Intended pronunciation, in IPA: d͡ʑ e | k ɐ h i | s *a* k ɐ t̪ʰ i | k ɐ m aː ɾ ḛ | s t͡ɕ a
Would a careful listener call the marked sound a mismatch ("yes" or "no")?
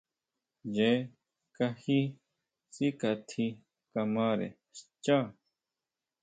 yes